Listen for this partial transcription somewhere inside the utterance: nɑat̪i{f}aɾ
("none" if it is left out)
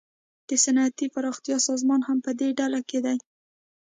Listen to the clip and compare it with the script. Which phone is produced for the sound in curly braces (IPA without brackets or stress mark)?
f